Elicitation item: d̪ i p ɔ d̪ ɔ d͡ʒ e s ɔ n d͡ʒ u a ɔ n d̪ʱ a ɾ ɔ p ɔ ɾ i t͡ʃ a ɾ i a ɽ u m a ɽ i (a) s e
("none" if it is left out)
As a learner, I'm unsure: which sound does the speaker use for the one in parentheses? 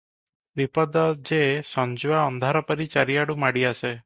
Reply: a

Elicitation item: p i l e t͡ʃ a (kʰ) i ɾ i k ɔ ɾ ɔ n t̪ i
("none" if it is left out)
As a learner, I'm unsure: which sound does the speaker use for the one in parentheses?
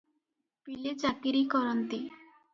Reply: k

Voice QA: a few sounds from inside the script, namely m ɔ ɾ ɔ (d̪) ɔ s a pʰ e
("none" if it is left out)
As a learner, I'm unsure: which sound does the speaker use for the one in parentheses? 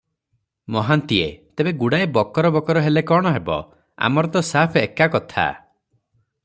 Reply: t̪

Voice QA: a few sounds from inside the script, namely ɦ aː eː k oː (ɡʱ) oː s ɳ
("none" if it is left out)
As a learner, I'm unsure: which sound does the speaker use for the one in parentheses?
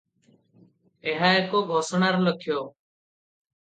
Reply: ɡʱ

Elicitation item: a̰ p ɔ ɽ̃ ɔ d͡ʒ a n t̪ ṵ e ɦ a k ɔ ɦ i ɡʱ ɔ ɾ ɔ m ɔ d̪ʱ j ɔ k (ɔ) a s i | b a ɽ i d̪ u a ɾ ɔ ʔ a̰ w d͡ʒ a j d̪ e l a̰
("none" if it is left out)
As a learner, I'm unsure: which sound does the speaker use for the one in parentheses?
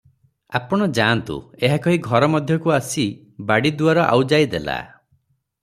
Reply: u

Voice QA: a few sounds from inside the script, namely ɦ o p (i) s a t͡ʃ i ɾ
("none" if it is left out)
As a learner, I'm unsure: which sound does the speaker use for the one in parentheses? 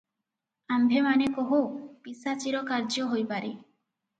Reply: i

